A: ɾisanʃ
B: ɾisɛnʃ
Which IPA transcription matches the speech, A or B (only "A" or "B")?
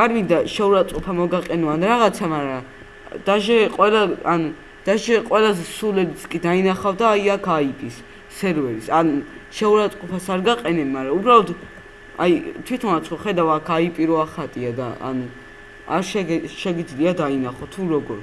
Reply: A